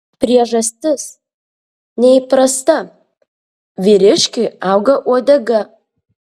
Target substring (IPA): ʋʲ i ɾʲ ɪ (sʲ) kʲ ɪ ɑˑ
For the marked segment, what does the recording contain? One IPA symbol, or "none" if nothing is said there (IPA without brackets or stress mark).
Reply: ʃʲ